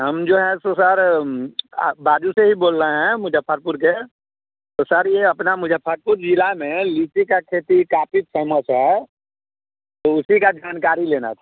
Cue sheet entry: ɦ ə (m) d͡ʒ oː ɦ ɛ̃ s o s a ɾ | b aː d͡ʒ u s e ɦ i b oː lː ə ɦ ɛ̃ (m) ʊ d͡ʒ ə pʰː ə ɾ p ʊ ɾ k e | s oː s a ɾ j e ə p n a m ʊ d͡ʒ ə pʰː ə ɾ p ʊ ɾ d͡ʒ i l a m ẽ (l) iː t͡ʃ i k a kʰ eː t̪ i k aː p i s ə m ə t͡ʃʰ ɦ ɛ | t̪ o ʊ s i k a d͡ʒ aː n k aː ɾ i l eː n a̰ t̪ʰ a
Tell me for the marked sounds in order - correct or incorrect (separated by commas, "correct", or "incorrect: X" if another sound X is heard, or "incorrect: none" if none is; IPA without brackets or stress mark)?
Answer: correct, correct, correct